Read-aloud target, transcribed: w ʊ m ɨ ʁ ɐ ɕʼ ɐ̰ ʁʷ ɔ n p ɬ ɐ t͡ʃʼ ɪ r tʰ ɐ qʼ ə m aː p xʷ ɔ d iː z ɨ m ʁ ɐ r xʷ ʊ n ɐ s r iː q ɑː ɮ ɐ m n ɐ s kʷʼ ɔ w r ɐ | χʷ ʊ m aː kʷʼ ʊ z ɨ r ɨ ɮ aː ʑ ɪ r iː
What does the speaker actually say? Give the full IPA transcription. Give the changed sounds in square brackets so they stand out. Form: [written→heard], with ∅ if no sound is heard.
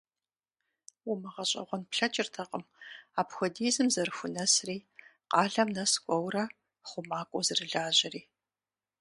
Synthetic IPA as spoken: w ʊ m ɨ ʁ ɐ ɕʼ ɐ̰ ʁʷ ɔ n p ɬ ɐ t͡ʃʼ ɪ r tʰ ɐ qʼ ə m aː p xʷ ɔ d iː z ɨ m [ʁ→z] ɐ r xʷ ʊ n ɐ s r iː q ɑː ɮ ɐ m n ɐ s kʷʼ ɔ w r ɐ | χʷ ʊ m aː kʷʼ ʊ z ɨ r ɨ ɮ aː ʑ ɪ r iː